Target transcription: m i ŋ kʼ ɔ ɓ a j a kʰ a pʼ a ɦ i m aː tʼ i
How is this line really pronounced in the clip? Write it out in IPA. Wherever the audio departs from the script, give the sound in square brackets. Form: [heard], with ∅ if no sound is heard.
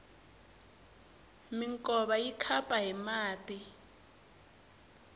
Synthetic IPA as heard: m i ŋ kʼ ɔ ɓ a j [i] kʰ a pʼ a ɦ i m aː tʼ i